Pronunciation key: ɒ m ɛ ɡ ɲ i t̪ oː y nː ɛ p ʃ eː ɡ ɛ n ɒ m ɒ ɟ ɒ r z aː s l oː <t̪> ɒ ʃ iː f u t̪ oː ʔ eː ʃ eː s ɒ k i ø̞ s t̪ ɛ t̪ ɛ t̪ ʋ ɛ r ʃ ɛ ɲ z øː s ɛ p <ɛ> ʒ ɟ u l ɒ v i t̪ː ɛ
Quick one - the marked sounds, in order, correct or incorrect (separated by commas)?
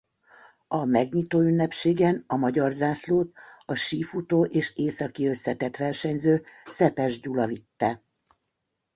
correct, correct